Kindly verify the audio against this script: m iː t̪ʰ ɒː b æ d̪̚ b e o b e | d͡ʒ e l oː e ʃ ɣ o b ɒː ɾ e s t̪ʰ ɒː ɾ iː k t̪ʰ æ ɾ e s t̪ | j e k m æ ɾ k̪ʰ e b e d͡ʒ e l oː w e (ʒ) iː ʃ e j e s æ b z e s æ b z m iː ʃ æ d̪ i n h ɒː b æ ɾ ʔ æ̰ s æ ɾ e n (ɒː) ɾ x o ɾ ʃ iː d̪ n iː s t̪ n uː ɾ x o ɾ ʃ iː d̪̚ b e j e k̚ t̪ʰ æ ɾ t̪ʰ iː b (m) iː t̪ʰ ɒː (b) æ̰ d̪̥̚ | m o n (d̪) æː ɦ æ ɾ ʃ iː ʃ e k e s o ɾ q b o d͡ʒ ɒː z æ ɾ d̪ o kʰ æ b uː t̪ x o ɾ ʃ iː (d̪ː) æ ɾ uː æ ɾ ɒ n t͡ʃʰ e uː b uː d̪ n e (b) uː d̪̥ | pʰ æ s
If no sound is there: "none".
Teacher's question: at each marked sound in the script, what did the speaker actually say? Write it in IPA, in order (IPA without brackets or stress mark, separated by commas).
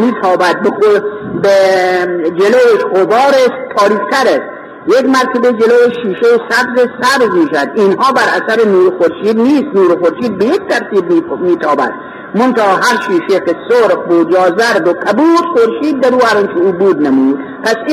ʃ, uː, m, b, t̪, d̪ː, m